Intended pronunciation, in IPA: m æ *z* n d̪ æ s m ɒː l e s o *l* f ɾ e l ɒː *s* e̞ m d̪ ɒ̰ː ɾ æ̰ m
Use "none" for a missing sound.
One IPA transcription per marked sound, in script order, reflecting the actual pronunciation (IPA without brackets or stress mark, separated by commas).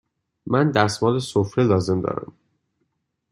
none, none, z